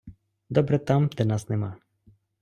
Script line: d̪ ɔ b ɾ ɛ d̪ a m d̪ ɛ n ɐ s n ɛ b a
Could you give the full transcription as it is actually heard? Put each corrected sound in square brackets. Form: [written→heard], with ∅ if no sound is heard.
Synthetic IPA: d̪ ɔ b ɾ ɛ [d̪→t̪] a m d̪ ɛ n [ɐ→a] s n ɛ [b→m] a